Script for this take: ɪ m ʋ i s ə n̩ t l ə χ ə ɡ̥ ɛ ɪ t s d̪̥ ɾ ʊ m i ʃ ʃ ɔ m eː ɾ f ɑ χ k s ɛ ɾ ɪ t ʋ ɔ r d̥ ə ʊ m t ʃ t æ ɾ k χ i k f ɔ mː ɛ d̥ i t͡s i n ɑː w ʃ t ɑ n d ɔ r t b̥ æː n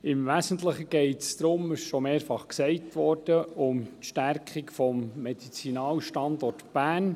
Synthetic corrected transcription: ɪ m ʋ æ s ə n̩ t l ə χ ə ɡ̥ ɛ ɪ t s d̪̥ ɾ ʊ m ɪ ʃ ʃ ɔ m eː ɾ f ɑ χ k s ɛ ɪ t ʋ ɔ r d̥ ə ʊ m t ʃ t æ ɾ k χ i k f ɔ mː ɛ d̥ i t͡s i n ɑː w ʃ t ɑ n d ɔ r t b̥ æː n

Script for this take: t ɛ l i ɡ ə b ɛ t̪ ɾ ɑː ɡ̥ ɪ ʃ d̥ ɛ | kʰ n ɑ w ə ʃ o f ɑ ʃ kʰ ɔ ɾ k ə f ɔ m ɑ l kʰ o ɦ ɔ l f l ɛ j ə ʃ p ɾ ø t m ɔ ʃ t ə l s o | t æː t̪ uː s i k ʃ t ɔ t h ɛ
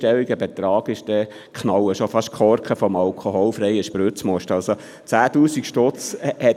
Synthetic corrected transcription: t ɛ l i ɡ ə b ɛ t̪ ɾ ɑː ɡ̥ ɪ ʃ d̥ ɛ | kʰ n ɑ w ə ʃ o f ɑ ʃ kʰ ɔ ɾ k ə f ɔ m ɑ l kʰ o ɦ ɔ l f ɾ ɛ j ə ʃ p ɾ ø t͡s m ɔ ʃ t ɑ l s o | t͡s æː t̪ uː s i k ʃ t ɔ t͡s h ɛ

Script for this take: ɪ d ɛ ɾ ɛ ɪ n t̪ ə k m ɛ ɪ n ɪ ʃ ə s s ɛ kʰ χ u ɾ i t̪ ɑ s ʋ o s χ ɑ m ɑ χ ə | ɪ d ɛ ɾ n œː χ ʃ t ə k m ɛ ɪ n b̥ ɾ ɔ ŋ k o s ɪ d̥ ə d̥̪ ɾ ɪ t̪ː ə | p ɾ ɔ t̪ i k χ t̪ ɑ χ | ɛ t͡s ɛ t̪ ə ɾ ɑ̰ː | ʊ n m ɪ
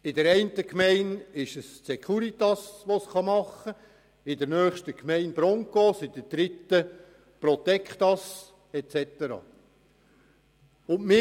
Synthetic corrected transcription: ɪ d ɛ ɾ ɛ ɪ n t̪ ə k m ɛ ɪ n ɪ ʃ ə s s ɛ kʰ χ u ɾ i t̪ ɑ s ʋ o s χ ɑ m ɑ χ ə | ɪ d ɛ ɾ n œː χ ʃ t ə k m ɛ ɪ n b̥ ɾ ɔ ŋ k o s ɪ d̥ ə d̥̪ ɾ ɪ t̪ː ə | p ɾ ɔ t̪ ɛ k χ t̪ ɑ s | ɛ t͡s ɛ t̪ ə ɾ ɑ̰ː | ʊ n m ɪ

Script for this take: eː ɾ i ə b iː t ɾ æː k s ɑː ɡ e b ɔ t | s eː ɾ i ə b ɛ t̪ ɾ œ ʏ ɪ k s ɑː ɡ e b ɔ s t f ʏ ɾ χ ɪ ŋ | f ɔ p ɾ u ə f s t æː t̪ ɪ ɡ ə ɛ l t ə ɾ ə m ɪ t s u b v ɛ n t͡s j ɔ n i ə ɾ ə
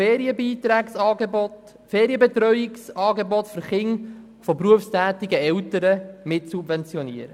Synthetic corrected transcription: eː ɾ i ə b iː t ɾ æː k s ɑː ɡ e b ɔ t | f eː ɾ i ə b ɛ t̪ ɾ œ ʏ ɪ k s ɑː ɡ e b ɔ t f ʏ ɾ χ ɪ ŋ | f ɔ p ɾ u ə f s t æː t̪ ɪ ɡ ə ɛ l t ə ɾ ə m ɪ t s u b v ɛ n t͡s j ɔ n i ə ɾ ə

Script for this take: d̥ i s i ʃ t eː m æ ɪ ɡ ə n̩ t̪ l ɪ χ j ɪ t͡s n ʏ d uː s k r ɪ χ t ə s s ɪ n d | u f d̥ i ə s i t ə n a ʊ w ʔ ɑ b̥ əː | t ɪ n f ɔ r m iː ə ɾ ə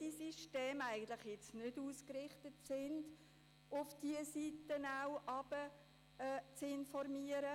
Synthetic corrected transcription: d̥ i s i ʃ t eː m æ ɪ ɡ ə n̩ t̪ l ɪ χ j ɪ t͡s n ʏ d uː s k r ɪ χ t ə t s ɪ n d | ʊ f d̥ i ə s i t ə n a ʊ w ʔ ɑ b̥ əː | t͡s ɪ n f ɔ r m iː ə ɾ ə

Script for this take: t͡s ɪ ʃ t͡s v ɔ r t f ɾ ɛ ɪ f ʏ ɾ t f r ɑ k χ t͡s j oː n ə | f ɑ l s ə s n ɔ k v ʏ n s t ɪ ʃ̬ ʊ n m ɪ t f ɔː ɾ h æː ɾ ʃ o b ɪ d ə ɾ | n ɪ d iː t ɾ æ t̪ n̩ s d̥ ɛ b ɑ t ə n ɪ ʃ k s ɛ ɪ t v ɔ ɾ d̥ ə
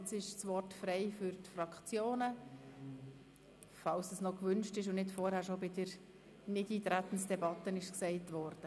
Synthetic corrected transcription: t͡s ɪ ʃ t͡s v ɔ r t f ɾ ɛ ɪ f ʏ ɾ t f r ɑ k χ t͡s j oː n ə | f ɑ l s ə s n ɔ k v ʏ n ʃ t ɪ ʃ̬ ʊ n n ɪ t f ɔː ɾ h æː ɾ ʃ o b ɪ d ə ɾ | n ɪ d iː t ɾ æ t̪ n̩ s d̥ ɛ b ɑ t ə n ɪ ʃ k s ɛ ɪ t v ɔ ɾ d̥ ə

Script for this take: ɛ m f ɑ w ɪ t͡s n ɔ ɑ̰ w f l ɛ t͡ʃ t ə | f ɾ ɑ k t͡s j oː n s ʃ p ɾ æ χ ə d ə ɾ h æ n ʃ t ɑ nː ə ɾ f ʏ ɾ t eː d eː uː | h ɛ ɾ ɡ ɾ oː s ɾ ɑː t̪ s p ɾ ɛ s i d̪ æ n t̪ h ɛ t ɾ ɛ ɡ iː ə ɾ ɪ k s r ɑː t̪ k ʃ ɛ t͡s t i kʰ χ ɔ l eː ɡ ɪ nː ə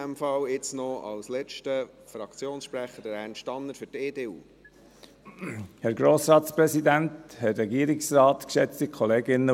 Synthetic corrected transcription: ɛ m f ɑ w ɪ t͡s n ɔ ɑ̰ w s l ɛ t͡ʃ t ə | f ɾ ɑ k t͡s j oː n s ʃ p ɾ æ χ ə d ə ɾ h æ n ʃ t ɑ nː ə ɾ f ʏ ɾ t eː d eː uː | h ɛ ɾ ɡ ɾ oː s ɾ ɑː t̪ s p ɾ ɛ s i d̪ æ n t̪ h ɛ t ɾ ɛ ɡ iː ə ɾ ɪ k s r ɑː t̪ k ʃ ɛ t͡s t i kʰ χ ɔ l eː ɡ ɪ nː ə

